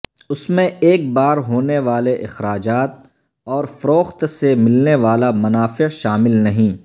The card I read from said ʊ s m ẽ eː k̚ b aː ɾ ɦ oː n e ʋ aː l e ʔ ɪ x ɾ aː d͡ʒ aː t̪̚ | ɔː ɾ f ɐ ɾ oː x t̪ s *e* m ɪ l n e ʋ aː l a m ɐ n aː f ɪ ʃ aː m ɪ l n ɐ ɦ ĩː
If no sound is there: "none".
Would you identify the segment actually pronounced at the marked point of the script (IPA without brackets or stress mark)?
e